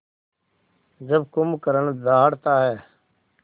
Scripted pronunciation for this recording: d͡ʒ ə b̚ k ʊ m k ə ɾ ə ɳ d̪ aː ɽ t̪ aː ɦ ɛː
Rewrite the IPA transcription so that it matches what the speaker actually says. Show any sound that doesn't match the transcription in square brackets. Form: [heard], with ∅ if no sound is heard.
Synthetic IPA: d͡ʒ ə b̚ k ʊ m k ə ɾ ə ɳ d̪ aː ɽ t̪ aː ɦ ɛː